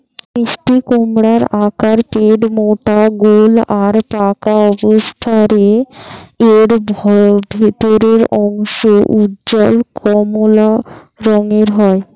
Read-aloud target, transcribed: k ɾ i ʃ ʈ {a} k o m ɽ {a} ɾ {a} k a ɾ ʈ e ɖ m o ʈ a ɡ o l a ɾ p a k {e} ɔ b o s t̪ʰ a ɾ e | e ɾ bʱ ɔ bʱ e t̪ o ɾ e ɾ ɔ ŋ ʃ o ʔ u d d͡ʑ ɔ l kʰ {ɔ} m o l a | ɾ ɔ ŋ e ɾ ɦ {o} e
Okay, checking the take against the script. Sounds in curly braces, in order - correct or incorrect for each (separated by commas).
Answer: incorrect, correct, correct, incorrect, correct, incorrect